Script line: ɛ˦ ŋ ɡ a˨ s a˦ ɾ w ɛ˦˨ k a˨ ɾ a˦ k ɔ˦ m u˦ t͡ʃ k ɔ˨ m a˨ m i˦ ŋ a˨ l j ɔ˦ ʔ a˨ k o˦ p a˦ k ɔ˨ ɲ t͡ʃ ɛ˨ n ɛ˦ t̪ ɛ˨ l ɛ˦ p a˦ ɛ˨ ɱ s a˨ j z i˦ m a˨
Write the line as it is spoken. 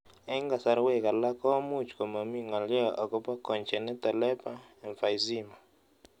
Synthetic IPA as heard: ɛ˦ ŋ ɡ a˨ s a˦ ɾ w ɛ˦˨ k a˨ l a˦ k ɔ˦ m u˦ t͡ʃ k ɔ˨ m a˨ m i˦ ŋ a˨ l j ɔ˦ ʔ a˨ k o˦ p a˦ k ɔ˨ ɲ t͡ʃ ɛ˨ n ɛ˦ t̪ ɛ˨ l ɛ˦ p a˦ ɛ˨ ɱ f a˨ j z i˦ m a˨